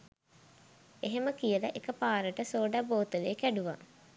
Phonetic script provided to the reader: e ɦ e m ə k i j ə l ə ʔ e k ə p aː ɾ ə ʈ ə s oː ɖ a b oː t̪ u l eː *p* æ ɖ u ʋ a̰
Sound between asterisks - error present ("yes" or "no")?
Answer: yes